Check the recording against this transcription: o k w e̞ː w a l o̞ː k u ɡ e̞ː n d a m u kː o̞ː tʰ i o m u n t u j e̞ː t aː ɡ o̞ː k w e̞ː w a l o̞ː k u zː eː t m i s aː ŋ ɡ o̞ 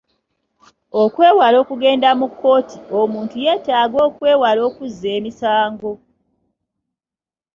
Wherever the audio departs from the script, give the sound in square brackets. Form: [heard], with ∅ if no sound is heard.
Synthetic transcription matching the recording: o k w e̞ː w a l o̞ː k u ɡ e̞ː n d a m u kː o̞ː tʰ i o m [uː] n t u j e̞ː t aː ɡ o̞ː k w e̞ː w a l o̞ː k u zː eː [∅] m i s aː ŋ ɡ o̞